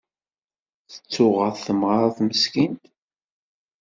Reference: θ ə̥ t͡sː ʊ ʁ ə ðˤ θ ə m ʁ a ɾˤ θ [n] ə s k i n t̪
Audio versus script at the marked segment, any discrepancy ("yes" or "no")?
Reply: yes